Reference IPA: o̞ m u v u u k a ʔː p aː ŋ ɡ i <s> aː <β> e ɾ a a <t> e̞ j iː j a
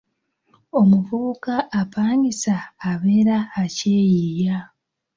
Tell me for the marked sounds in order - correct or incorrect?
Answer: correct, correct, incorrect

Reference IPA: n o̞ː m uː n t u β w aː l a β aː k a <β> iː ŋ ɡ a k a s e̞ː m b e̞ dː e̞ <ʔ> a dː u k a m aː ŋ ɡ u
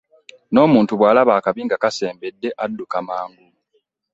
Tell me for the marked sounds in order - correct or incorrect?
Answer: correct, correct

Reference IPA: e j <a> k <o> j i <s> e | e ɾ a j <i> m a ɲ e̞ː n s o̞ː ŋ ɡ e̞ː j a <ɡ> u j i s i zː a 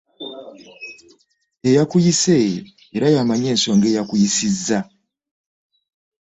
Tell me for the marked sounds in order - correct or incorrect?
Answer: correct, incorrect, correct, incorrect, incorrect

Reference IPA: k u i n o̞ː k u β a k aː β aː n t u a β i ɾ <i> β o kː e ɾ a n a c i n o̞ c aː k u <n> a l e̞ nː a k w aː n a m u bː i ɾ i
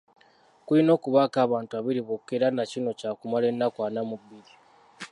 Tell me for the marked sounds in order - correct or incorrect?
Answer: correct, incorrect

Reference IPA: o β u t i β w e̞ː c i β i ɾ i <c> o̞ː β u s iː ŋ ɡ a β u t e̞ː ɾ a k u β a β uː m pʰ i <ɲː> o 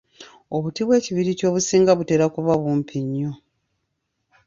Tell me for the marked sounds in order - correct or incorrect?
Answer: correct, correct

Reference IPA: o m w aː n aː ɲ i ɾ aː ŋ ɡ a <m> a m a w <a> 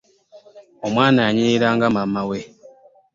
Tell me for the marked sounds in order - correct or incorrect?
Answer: correct, incorrect

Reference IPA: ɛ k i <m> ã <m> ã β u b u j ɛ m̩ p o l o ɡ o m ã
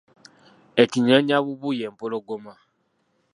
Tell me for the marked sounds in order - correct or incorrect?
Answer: incorrect, incorrect

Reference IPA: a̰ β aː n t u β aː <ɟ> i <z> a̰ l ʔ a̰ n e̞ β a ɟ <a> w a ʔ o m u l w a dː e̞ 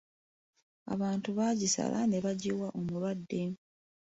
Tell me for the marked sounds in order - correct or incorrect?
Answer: correct, incorrect, incorrect

